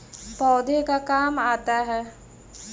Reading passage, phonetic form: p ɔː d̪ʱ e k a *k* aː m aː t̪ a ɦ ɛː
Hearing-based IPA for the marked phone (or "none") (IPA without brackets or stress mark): k